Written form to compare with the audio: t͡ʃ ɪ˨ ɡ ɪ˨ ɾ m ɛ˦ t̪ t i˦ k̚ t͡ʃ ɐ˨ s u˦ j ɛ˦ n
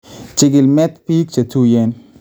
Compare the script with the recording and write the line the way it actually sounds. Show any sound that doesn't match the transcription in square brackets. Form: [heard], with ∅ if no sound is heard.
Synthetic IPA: t͡ʃ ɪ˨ ɡ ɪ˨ [l] m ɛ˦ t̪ [p] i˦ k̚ t͡ʃ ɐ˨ [t] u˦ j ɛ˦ n